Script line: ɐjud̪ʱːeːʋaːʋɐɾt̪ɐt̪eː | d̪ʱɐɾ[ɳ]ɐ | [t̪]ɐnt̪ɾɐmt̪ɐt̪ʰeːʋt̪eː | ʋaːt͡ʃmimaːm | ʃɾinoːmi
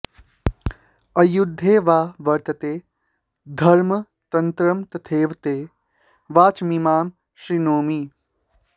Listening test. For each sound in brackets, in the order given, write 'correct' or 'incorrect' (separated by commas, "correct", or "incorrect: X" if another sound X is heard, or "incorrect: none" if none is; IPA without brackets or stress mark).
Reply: incorrect: m, correct